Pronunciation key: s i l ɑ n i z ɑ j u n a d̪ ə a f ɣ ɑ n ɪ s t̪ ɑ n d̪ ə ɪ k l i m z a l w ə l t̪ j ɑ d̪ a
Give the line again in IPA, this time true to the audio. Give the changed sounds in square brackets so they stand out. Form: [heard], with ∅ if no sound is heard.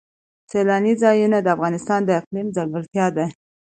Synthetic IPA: s [e] l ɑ n i z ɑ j u n a d̪ ə a f ɣ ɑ n ɪ s t̪ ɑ n d̪ ə ɪ [q] l i m z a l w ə l t̪ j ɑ d̪ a